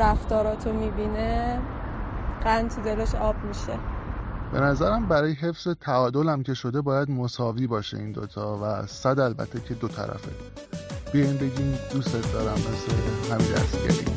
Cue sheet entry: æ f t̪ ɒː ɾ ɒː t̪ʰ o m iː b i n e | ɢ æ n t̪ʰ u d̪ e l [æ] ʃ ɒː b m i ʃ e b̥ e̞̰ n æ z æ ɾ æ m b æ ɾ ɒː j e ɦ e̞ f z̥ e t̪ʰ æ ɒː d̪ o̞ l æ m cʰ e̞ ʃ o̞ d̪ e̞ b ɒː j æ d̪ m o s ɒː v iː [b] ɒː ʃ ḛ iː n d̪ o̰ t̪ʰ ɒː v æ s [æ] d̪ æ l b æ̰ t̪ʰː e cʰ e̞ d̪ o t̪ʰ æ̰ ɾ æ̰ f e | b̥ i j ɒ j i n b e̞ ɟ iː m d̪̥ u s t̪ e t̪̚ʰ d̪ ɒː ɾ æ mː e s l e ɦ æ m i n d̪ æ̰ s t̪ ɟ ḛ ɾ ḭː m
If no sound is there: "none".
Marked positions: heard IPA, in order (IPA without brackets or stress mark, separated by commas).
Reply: e, b, æ